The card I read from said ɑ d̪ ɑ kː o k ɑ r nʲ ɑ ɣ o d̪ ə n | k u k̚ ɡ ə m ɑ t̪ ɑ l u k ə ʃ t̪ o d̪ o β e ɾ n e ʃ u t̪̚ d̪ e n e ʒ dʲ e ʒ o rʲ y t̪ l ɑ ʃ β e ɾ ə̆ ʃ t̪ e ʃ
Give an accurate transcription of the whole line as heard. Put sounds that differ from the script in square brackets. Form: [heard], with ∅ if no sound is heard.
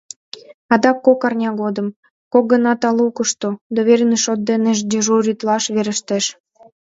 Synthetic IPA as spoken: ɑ d̪ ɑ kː o k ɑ r nʲ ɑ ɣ o d̪ ə [m] | k [o] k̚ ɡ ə [n] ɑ t̪ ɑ l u k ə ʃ t̪ o d̪ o β e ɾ n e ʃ [o] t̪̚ d̪ e n e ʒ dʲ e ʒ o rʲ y t̪ l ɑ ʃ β e ɾ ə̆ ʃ t̪ e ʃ